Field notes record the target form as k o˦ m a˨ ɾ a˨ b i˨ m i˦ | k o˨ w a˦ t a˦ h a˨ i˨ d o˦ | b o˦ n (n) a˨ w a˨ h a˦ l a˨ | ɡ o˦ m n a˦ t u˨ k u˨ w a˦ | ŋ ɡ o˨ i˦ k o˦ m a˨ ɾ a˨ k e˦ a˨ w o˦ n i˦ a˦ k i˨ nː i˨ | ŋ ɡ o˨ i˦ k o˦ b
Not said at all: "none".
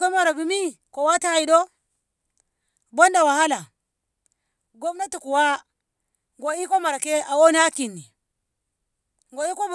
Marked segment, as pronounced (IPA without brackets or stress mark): d